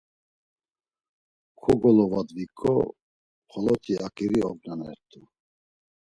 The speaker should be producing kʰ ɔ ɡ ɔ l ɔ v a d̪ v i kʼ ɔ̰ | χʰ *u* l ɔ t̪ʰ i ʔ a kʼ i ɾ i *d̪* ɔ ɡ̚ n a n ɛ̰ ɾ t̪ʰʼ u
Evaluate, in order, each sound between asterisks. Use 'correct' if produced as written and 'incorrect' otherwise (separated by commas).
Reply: incorrect, incorrect